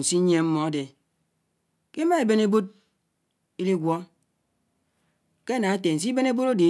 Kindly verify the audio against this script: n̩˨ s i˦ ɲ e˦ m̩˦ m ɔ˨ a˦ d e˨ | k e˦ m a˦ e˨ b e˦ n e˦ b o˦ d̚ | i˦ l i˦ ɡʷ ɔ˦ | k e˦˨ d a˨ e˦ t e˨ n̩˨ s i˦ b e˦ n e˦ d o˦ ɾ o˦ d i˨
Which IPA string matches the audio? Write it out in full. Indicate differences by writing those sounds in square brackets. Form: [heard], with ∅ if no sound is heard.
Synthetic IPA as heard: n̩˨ s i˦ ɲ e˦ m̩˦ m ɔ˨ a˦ d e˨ | k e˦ m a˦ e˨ b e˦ n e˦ b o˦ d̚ | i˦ l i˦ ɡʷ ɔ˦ | k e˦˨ [n] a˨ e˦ t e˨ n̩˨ s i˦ b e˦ n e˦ [b] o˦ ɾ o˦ d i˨